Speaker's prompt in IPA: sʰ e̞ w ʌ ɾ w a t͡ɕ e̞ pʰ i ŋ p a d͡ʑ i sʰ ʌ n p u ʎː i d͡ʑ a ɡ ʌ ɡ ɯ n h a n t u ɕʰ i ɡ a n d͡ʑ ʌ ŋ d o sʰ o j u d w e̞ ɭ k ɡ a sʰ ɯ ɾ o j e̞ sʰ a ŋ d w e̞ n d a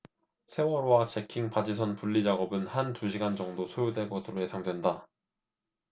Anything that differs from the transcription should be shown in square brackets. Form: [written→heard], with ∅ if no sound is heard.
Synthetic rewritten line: sʰ e̞ w ʌ ɾ w a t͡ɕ e̞ [pʰ→kʰ] i ŋ p a d͡ʑ i sʰ ʌ n p u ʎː i d͡ʑ a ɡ ʌ [ɡ→b] ɯ n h a n t u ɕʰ i ɡ a n d͡ʑ ʌ ŋ d o sʰ o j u d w e̞ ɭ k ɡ [a→ʌ] sʰ ɯ ɾ o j e̞ sʰ a ŋ d w e̞ n d a